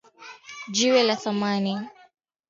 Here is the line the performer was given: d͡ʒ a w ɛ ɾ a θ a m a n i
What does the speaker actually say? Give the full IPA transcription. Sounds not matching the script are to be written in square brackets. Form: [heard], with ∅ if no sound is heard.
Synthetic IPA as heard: d͡ʒ [i] w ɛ [l] a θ a m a n i